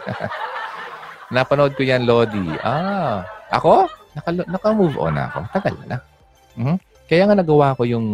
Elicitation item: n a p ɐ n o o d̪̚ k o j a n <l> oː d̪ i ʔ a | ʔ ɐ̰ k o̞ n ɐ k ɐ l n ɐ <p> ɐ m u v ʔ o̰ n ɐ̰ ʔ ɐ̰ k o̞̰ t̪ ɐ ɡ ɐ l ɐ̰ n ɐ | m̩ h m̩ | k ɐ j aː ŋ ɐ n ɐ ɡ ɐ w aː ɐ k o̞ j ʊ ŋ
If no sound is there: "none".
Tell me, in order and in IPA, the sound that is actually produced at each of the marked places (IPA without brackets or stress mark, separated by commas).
l, k